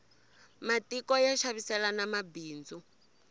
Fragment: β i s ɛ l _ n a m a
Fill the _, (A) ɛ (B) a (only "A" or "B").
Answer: B